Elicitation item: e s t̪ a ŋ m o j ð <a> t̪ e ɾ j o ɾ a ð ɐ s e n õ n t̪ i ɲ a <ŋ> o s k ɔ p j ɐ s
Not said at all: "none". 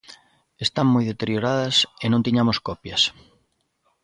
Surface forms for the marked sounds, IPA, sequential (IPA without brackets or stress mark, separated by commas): e, m